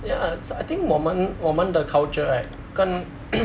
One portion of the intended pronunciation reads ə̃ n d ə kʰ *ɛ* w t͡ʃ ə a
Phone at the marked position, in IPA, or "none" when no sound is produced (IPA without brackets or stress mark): a